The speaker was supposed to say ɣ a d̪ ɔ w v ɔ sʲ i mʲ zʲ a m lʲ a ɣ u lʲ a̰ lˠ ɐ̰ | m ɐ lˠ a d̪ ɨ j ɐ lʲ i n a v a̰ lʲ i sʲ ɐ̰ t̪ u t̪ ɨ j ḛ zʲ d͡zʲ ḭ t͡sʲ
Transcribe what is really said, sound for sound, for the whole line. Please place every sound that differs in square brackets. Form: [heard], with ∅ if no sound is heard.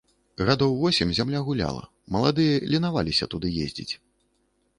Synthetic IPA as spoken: ɣ a d̪ ɔ w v ɔ sʲ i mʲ zʲ a m lʲ a ɣ u lʲ a̰ lˠ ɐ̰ | m ɐ lˠ a d̪ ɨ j ɐ lʲ i n a v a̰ lʲ i sʲ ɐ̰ t̪ u [d̪] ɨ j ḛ zʲ d͡zʲ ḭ t͡sʲ